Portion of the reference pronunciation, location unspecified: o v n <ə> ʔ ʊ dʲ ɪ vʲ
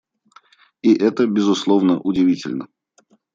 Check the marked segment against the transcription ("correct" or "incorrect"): correct